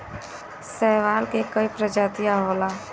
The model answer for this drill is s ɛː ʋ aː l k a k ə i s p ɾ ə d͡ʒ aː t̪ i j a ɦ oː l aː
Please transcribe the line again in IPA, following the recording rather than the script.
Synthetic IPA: s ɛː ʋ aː l k e k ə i p ɾ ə d͡ʒ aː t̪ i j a ɦ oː l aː